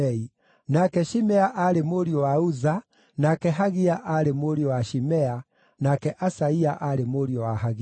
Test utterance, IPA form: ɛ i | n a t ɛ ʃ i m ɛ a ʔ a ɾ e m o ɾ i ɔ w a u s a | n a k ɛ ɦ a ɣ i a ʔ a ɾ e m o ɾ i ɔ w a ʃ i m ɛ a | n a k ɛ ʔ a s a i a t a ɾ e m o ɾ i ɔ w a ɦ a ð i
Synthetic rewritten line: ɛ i | n a k ɛ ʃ i m ɛ a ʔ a ɾ e m o ɾ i ɔ w a u z a | n a k ɛ ɦ a ɣ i a ʔ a ɾ e m o ɾ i ɔ w a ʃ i m ɛ a | n a k ɛ ʔ a s a i a ʔ a ɾ e m o ɾ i ɔ w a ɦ a ɣ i

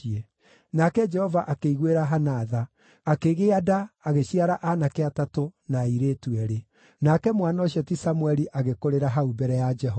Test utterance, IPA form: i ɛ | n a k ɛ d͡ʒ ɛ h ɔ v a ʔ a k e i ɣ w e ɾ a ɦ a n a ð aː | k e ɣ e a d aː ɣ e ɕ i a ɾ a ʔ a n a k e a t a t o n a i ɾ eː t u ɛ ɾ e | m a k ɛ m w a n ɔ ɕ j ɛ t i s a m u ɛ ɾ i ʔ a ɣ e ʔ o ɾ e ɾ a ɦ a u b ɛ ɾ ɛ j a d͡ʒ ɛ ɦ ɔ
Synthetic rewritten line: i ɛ | n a k ɛ d͡ʒ ɛ h ɔ v a ʔ a k e i ɣ w e ɾ a ɦ a n a ð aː | k e ɣ e a d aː ɣ e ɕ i a ɾ a ʔ a n a k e a t a t o n a i ɾ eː t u ɛ ɾ e | n a k ɛ m w a n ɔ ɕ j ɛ t i s a m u ɛ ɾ i ʔ a ɣ e k o ɾ e ɾ a ɦ a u b ɛ ɾ ɛ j a d͡ʒ ɛ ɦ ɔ

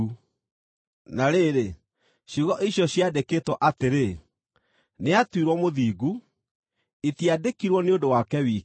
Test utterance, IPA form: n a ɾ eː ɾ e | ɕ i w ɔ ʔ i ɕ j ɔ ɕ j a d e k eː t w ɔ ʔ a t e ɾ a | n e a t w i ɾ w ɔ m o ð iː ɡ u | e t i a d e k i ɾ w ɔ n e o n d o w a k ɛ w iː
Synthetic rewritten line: n a ɾ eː ɾ e | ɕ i ɣ ɔ ʔ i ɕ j ɔ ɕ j a d e k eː t w ɔ ʔ a t e ɾ e | n e a t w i ɾ w ɔ m o ð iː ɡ u | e t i a d e k i ɾ w ɔ n e o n d o w a k ɛ w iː

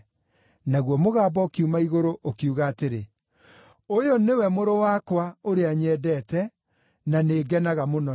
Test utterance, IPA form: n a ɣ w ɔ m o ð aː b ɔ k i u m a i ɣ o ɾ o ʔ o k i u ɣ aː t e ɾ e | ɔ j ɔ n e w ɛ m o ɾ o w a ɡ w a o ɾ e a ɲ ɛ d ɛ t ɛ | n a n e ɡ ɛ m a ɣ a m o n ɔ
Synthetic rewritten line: n a ɣ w ɔ m o ɣ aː b ɔ k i u m a i ɣ o ɾ o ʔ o k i u ɣ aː t e ɾ e | o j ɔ n e w ɛ m o ɾ o w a k w a o ɾ e a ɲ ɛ d ɛ t ɛ | n a n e ɡ ɛ n a ɣ a m o n ɔ

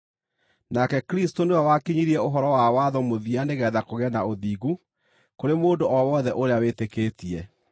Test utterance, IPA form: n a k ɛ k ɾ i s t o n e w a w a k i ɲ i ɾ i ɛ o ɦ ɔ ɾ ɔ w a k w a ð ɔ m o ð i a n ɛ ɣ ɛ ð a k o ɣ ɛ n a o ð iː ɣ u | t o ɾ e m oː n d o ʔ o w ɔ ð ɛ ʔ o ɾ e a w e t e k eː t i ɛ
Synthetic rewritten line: n a k ɛ k ɾ i s t o n e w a w a k i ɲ i ɾ i ɛ o ɦ ɔ ɾ ɔ w a w a ð ɔ m o ð i a n e ɣ ɛ ð a k o ɣ ɛ n a o ð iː ɣ u | k o ɾ e m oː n d o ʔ ɔ w ɔ ð ɛ ʔ o ɾ e a w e t e k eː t i ɛ

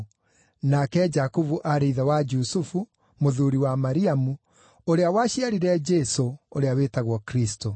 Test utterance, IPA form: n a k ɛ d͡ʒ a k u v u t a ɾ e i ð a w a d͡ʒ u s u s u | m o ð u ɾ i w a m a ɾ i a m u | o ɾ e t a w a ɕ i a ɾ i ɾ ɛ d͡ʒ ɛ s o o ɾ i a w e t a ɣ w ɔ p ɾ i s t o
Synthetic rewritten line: n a k ɛ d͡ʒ a k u v u ʔ a ɾ e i ð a w a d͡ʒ u s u f u | m o ð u ɾ i w a m a ɾ i a m u | o ɾ e a w a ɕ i a ɾ i ɾ ɛ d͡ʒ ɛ s o o ɾ e a w e t a ɣ w ɔ k ɾ i s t o

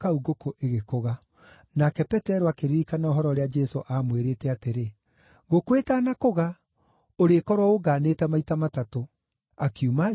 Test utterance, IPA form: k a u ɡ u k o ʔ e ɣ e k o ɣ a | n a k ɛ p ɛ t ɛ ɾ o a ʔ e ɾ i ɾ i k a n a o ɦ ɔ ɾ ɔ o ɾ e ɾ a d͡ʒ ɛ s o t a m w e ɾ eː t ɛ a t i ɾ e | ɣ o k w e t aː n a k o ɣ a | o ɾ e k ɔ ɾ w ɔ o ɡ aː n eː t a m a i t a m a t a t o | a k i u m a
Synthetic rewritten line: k a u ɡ o k o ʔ e ɣ e k o ɣ a | n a k ɛ p ɛ t ɛ ɾ o a k e ɾ i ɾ i k a n a o ɦ ɔ ɾ ɔ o ɾ e a d͡ʒ ɛ s o ʔ a m w e ɾ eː t ɛ a t e ɾ e | ɣ o k w e t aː n a k o ɣ a | o ɾ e k ɔ ɾ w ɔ o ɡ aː n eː t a m a i t a m a t a t o | a k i u m a

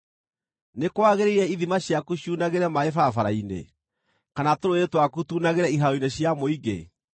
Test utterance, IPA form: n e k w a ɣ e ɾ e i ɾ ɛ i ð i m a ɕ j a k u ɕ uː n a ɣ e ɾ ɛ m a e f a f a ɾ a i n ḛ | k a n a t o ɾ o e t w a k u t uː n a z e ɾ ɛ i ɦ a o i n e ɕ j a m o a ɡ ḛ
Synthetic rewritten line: n e k w a ɣ e ɾ e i ɾ ɛ i ð i m a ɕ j a k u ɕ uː n a ɣ e ɾ ɛ m a e f a f a ɾ a i n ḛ | k a n a t o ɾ o e t w a k u t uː n a ɣ e ɾ ɛ i ɦ a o i n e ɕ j a m o i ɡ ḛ

